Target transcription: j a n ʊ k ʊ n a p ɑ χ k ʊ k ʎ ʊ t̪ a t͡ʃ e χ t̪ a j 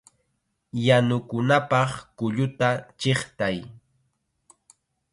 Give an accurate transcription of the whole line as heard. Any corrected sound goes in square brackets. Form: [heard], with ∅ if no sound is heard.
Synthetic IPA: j a n ʊ k ʊ n a p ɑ χ k ʊ [∅] ʎ ʊ t̪ a t͡ʃ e χ t̪ a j